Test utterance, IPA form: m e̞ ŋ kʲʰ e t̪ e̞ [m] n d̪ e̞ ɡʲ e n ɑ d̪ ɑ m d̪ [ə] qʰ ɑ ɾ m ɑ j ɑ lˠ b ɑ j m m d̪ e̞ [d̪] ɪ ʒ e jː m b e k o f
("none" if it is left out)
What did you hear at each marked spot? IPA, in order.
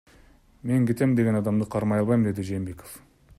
m, ə, d̪

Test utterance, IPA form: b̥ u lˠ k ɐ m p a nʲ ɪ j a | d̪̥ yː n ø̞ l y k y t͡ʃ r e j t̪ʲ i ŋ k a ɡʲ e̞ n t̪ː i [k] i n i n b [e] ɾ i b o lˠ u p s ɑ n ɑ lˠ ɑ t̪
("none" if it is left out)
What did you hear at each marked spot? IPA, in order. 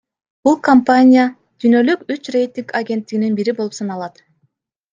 ɡ, i

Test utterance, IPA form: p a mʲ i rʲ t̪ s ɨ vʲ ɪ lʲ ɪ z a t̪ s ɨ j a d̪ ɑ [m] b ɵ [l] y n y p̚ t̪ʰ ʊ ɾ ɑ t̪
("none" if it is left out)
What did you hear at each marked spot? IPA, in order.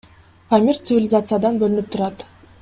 n, l

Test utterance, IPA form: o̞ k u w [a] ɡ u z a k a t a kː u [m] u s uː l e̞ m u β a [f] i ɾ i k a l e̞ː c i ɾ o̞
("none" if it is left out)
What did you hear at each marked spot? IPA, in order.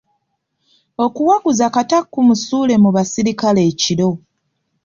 a, m, s

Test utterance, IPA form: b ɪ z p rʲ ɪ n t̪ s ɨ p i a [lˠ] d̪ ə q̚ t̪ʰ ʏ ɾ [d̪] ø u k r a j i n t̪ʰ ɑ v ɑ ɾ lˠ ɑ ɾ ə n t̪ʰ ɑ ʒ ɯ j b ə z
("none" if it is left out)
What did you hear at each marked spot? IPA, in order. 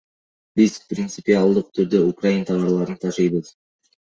lˠ, d̪

